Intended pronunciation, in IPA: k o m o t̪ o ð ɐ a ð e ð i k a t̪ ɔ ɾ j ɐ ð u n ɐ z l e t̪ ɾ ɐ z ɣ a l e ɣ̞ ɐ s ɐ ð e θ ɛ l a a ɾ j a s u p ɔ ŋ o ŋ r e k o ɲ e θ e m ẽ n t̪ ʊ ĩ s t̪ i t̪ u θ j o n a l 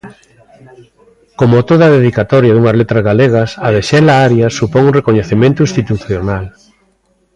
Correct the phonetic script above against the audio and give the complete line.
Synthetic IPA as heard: k o m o t̪ o ð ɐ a ð e ð i k a t̪ ɔ ɾ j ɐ ð u ŋ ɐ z l e t̪ ɾ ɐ z ɣ a l e ɣ̞ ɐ s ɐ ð e ʃ ɛ l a a ɾ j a s u p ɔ ŋ u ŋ r e k o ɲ e θ e m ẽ n t̪ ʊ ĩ s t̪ i t̪ u θ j o n a l